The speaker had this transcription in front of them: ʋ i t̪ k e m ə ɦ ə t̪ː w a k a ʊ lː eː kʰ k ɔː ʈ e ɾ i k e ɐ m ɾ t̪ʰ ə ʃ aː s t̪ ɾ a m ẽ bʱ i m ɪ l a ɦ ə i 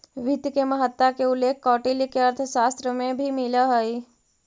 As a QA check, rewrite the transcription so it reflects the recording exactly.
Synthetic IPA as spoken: ʋ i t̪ k e m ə ɦ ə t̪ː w a k e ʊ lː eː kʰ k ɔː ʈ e l i k e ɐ ɾ t̪ʰ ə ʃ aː s t̪ ɾ ə m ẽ bʱ i m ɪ l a ɦ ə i